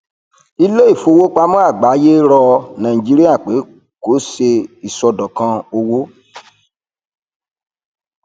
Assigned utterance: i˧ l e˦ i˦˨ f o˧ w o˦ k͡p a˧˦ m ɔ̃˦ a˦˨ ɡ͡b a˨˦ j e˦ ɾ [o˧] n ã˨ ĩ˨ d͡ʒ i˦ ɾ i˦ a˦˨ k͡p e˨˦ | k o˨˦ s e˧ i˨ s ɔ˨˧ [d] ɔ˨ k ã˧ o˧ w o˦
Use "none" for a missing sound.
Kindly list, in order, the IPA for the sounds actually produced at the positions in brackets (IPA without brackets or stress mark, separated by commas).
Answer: ɔ˧, d